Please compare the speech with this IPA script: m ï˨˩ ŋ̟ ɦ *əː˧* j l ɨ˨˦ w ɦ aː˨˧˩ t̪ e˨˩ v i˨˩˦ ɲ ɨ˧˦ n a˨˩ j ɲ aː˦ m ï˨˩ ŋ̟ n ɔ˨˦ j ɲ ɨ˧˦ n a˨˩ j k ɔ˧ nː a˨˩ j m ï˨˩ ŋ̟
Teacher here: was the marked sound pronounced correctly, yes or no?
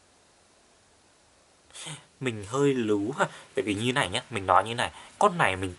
yes